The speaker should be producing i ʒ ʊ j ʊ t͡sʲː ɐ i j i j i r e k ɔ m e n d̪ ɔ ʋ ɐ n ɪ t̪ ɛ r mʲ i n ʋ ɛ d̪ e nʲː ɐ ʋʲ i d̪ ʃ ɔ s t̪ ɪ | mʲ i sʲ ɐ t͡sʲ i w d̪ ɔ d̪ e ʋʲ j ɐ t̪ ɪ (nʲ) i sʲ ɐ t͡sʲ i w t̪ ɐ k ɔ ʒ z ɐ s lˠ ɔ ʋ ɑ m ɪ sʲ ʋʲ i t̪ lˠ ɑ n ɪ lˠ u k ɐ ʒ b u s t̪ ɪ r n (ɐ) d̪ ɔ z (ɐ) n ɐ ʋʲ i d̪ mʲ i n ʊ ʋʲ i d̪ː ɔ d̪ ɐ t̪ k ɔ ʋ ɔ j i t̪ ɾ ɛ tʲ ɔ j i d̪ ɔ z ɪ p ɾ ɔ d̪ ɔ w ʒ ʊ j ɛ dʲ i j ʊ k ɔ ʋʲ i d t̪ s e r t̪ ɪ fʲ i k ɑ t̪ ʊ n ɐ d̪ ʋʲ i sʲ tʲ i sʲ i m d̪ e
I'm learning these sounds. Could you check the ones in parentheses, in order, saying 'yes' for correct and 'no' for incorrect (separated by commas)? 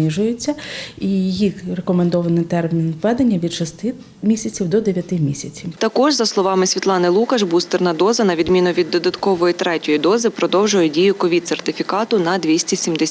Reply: no, yes, yes